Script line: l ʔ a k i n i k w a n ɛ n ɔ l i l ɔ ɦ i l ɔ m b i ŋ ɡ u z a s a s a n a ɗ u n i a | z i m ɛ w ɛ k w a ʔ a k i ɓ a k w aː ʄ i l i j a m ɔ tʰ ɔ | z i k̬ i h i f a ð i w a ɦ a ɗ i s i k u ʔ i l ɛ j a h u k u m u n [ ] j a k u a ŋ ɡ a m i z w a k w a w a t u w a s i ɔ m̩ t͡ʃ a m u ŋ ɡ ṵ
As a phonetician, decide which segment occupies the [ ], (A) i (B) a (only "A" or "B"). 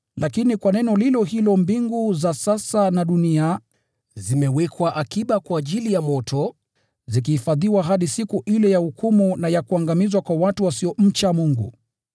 B